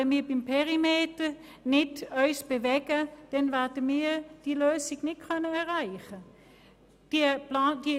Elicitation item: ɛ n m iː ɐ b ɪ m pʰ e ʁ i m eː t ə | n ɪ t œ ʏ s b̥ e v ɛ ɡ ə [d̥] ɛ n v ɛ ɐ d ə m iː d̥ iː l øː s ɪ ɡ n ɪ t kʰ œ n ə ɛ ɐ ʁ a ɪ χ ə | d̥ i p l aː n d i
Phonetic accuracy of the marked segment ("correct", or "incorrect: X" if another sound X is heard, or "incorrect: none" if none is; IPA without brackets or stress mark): correct